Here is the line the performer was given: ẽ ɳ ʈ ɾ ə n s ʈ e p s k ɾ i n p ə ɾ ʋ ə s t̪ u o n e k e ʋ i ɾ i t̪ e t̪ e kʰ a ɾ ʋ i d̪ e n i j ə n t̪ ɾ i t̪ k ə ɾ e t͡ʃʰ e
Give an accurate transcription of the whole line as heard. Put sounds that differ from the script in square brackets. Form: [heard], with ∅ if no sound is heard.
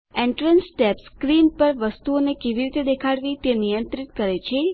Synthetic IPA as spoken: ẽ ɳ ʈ ɾ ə n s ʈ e p s k ɾ i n p ə ɾ ʋ ə s t̪ u o n e k e ʋ i ɾ i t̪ e [d̪] e kʰ a [ɽ] ʋ i [t̪] e n i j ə n t̪ ɾ i t̪ k ə ɾ e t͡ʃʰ e